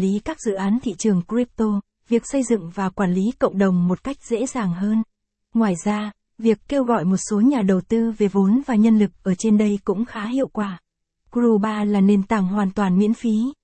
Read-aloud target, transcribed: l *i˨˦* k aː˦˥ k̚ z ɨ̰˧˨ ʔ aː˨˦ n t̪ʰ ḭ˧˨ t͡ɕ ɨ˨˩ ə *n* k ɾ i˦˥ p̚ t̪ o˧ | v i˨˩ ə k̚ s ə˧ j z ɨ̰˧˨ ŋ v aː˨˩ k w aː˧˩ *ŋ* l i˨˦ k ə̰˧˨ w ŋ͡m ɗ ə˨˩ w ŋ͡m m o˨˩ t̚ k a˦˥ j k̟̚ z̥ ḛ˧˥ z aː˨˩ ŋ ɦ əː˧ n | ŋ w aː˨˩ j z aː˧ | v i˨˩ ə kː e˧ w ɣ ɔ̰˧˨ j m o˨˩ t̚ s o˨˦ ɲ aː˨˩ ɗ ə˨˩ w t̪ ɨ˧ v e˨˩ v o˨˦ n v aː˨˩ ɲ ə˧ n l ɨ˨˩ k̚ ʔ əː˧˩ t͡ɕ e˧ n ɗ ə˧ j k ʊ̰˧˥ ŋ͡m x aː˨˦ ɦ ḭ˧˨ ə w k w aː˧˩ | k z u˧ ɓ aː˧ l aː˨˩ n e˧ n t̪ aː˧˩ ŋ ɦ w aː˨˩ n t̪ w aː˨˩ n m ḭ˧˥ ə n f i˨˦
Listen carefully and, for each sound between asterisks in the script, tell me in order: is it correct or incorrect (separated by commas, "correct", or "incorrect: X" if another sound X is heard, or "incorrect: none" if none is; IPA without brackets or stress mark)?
correct, incorrect: ŋ, incorrect: n